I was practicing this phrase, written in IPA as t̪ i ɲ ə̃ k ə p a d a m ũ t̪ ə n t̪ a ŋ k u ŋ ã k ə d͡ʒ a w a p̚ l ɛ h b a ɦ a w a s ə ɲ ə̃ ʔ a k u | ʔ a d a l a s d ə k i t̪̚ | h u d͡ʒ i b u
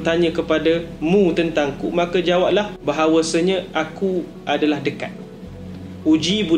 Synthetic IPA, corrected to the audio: t̪ a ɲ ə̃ k ə p a d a m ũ t̪ ə n t̪ a ŋ k u m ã k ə d͡ʒ a w a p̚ l a h b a ɦ a w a s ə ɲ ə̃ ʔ a k u | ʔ a d a l a h d ə k a t̪̚ | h u d͡ʒ i b u